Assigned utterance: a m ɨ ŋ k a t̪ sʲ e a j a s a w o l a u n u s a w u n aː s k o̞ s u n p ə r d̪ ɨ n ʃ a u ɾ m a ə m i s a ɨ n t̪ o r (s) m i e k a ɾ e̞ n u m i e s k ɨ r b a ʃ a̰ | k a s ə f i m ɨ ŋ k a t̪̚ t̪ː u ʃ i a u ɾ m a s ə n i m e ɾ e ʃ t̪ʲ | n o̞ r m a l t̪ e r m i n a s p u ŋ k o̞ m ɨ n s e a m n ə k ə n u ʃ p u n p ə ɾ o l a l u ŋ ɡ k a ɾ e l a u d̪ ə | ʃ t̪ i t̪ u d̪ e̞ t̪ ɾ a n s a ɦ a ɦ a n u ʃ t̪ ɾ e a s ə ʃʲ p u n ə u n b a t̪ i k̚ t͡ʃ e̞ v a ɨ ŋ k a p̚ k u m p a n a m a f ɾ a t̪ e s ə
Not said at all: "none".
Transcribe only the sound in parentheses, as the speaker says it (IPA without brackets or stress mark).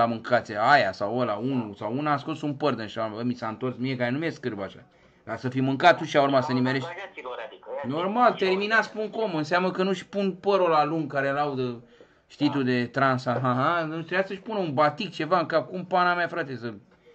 s